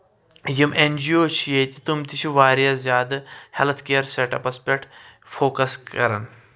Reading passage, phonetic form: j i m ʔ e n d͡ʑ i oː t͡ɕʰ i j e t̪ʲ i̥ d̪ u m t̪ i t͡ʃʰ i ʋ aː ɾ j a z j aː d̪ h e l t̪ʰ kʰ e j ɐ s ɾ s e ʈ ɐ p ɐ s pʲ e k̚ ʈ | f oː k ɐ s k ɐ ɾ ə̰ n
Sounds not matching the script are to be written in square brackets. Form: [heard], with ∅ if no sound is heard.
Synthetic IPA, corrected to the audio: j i m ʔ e n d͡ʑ i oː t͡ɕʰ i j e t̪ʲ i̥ [t̪] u m t̪ i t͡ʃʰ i ʋ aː ɾ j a z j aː d̪ h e l t̪ʰ [k] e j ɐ [∅] ɾ s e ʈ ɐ p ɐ s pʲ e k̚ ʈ | f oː k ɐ s k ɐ ɾ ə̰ n